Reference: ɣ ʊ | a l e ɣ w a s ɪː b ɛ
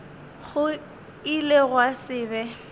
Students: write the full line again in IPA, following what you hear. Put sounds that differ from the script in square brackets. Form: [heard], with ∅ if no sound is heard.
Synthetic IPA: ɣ ʊ | [i] l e ɣ w a s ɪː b ɛ